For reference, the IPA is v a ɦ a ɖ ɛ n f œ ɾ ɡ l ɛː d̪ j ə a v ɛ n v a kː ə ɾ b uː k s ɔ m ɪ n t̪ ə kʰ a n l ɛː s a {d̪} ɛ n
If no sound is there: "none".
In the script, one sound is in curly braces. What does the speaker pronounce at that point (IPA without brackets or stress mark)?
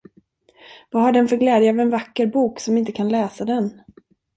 d̪